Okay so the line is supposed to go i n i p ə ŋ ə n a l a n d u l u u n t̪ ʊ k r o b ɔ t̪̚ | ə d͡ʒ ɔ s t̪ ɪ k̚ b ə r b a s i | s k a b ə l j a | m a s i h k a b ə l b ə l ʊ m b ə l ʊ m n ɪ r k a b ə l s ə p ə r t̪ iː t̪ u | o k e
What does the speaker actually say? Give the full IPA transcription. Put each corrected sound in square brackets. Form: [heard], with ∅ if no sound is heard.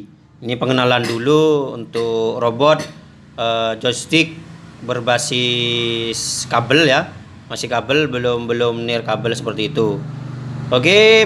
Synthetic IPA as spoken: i n i p ə ŋ ə n a l a n d u l u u n t̪ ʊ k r o b ɔ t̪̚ | ə d͡ʒ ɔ s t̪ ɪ k̚ b ə r b a s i | s k a b ə l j a | m a s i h k a b ə l b ə l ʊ m b ə l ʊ m n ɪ r k a b ə l s ə p ə r t̪ iː t̪ u | o k e

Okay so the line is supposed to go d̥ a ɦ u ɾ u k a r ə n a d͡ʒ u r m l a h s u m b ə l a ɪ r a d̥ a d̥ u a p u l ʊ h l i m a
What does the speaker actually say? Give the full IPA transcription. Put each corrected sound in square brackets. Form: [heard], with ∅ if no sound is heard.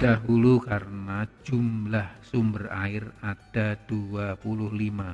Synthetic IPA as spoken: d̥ a ɦ u [l] u k a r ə n a d͡ʒ u [∅] m l a h s u m b ə [r] a ɪ r a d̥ a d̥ u a p u l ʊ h l i m a

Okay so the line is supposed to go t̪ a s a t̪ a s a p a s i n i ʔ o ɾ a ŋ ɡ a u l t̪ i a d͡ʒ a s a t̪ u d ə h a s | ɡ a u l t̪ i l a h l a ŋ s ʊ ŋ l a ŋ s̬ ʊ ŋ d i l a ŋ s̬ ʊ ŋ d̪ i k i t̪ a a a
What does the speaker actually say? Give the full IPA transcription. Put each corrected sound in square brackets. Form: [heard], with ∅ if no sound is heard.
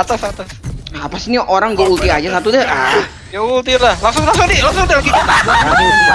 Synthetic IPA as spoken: t̪ a s a t̪ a s a p a s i n i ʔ o ɾ a ŋ ɡ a u l t̪ i a d͡ʒ a s a t̪ u d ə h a [∅] | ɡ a u l t̪ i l a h l a ŋ s ʊ ŋ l a ŋ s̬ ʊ ŋ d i l a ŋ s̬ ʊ ŋ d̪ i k i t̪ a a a

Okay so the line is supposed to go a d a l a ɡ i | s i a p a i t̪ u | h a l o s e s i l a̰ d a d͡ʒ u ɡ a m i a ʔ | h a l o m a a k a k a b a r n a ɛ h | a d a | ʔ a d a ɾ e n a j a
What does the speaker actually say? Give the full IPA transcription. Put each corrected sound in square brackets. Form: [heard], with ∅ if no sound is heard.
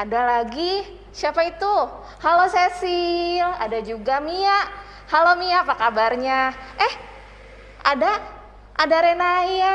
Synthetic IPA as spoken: a d a l a ɡ i | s i a p a i t̪ u | h a l o s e s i l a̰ d a d͡ʒ u ɡ a m i a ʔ | h a l o m [i] a [p] a k a b a r [ɲ] a ɛ h | a d a | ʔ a d a ɾ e n a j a

